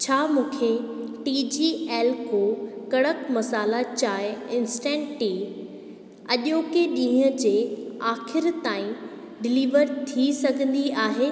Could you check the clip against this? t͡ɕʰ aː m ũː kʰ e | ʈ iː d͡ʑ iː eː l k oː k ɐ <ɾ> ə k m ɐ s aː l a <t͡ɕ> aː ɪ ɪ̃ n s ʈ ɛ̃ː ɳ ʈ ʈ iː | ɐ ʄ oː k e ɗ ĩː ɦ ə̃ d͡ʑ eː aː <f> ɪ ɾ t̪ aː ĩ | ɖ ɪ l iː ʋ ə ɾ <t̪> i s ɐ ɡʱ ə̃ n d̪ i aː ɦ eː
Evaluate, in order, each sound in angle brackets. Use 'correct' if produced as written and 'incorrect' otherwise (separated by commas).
incorrect, correct, incorrect, incorrect